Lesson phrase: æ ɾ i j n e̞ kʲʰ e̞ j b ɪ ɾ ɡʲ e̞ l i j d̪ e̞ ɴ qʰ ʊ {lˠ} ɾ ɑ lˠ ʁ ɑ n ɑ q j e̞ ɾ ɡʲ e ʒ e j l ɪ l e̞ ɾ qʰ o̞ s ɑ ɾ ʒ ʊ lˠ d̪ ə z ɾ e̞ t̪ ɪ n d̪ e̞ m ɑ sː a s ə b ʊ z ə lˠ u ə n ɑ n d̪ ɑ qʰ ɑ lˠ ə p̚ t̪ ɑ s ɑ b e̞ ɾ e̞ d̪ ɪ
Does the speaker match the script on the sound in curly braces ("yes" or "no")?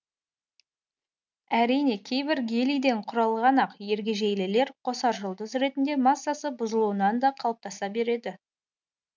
no